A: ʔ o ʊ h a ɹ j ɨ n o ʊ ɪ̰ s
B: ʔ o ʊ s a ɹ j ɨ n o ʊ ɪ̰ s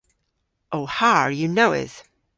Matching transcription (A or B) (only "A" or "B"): A